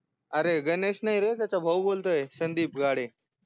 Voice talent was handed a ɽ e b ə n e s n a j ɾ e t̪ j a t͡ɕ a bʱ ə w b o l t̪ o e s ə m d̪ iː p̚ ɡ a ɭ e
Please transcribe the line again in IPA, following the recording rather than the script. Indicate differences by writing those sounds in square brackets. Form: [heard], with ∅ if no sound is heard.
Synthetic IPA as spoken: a [ɾ] e [ɡ] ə n e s n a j ɾ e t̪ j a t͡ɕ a bʱ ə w b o l t̪ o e s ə [n] d̪ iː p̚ ɡ a [ɽ] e